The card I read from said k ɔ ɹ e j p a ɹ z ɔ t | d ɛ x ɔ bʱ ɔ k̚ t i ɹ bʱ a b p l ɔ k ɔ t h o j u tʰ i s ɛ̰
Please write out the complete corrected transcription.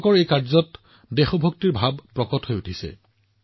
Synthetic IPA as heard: k ɔ ɹ e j k a ɹ z ɔ t | d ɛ x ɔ bʱ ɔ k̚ t i ɹ bʱ a b p ɹ ɔ k ɔ t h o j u tʰ i s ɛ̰